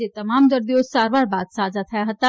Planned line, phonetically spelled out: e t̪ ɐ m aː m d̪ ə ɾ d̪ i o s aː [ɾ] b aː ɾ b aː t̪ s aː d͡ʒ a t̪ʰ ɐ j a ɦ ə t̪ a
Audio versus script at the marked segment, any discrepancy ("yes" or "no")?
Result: no